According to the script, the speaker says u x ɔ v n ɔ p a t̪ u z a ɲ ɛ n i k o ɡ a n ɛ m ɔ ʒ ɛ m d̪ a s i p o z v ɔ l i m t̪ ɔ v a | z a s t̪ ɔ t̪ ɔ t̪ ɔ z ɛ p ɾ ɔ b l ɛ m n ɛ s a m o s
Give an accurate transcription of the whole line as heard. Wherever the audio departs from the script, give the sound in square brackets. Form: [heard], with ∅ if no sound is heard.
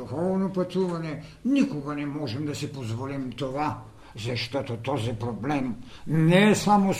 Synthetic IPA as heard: u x ɔ v n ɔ p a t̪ u [v] a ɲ ɛ n i k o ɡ a n ɛ m ɔ ʒ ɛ m d̪ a s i p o z v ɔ l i m t̪ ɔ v a | z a [ʃ] t̪ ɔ t̪ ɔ t̪ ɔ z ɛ p ɾ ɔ b l ɛ m n ɛ s a m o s